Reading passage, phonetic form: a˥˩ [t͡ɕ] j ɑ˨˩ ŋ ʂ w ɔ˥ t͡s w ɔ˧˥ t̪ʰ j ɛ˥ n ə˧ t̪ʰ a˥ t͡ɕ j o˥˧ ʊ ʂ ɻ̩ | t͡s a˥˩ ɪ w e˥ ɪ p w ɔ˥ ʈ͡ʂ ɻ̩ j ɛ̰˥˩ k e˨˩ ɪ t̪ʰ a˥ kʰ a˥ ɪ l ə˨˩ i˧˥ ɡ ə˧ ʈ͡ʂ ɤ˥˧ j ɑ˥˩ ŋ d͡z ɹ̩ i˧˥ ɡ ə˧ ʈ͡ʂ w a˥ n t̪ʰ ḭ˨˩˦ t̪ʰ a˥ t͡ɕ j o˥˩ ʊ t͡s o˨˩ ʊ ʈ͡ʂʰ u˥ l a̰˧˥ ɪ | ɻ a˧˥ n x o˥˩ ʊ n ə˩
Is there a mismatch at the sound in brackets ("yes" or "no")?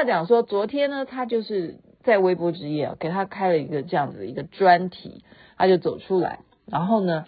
no